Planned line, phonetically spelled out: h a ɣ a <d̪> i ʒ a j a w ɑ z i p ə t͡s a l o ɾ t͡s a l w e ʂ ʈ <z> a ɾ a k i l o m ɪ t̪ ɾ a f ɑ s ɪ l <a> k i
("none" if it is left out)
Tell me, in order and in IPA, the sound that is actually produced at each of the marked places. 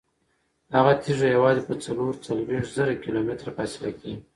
t̪, z, a

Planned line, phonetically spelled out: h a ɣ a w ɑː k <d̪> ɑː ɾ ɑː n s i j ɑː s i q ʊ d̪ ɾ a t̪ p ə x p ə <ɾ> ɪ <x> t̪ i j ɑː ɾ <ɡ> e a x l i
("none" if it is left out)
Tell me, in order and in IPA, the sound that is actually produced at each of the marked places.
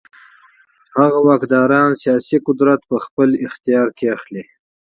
d̪, l, x, k

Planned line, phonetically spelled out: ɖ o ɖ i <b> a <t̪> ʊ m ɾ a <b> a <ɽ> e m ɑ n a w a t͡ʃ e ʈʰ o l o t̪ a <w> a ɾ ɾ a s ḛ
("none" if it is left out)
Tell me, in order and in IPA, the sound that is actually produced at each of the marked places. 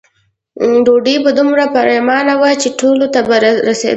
b, d̪, p, ɾ, b

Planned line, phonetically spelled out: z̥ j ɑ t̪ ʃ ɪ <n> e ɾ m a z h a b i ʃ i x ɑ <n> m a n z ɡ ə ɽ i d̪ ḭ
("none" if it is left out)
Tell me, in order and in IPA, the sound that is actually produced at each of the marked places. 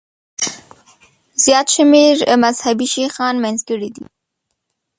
m, n

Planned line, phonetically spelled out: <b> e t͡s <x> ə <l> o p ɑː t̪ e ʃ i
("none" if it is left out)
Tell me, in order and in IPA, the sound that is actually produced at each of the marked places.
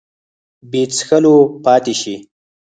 b, x, l

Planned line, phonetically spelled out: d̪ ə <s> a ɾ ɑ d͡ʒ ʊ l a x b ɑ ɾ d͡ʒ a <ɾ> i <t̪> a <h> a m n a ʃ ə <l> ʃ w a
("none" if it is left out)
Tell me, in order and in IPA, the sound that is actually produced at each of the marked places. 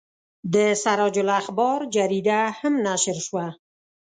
s, ɾ, d̪, h, ɾ

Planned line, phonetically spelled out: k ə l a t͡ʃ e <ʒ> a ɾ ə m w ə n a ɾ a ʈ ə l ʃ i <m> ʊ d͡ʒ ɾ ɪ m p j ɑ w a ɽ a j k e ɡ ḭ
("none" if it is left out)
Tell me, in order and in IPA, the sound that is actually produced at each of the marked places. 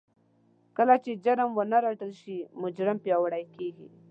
d͡ʒ, m

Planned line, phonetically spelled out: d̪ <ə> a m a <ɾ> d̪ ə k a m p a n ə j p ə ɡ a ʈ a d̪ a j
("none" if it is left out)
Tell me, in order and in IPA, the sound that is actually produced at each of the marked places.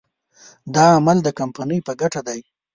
ɑ, l

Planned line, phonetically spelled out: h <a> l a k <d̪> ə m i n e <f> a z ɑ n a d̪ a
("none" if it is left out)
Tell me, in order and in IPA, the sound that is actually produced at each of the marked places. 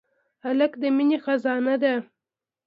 a, d̪, x

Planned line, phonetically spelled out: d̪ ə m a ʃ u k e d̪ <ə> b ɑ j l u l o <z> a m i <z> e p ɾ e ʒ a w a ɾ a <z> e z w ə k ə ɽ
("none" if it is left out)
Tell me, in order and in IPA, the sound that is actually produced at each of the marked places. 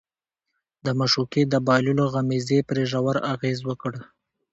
ə, ɣ, z, ɣ

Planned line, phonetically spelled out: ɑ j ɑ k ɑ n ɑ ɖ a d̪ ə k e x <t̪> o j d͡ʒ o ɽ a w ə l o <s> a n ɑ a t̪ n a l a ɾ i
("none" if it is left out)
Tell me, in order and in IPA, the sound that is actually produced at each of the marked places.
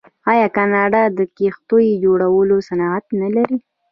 t̪, s

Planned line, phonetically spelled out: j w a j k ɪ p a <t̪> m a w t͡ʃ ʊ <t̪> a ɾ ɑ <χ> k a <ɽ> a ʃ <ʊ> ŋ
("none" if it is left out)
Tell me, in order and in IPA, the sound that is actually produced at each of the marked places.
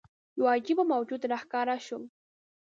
none, t̪, χ, ɾ, ʊ

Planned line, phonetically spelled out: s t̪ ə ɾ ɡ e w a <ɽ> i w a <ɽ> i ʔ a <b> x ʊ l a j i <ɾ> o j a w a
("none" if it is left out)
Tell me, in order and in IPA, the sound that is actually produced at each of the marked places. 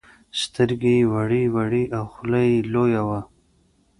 ɽ, ɽ, w, l

